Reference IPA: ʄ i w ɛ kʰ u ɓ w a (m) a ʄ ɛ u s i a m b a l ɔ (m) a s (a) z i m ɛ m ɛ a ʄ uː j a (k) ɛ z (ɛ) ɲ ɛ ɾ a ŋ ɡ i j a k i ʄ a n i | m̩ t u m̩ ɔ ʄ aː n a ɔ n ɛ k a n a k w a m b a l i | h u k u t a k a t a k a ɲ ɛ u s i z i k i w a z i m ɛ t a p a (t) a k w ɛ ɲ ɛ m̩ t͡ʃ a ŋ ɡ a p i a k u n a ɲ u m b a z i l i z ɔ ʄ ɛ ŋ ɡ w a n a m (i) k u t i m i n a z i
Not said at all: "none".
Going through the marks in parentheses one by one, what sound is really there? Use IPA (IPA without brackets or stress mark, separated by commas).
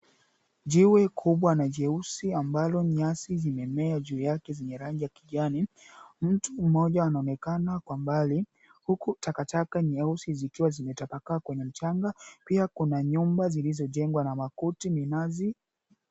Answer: n, ɲ, i, k, ɛ, k, a